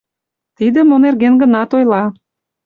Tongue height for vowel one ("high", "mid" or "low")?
high